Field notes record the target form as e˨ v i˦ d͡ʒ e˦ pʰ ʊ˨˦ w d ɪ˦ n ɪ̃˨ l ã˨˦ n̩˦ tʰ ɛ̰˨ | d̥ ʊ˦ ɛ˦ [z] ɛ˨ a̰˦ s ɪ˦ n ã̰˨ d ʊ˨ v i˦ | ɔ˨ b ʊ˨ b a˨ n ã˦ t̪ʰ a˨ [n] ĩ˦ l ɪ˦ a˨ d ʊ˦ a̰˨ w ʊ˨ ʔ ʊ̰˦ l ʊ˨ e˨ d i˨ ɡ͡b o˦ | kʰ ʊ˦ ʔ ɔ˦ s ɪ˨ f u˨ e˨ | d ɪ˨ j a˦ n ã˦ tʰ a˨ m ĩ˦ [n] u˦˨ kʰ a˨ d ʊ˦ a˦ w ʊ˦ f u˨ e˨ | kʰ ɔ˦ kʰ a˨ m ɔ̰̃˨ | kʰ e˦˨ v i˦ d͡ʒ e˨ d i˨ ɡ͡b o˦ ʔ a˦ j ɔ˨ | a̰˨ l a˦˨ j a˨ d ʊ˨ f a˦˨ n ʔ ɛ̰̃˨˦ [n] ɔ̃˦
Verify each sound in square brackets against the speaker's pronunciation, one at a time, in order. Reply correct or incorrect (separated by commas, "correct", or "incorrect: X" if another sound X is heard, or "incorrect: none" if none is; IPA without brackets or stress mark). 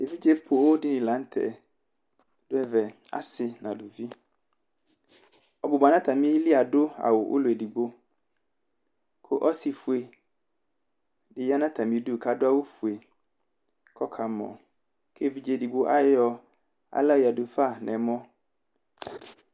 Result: incorrect: v, incorrect: m, incorrect: d, incorrect: m